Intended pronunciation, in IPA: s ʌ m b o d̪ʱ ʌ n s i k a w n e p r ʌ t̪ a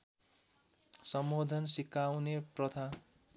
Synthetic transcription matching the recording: s ʌ m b o d̪ʱ ʌ n s i k a w n e p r ʌ t̪ʰ a